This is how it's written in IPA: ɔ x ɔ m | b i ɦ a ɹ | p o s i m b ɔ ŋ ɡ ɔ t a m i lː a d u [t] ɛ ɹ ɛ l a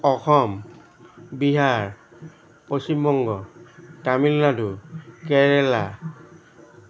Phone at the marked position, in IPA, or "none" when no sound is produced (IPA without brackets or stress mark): k